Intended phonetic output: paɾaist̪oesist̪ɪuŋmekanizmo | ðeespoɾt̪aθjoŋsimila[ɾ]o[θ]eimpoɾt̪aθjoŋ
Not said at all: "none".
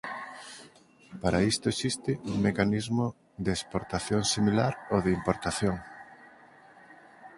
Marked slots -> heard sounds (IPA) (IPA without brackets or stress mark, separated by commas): ɾ, ð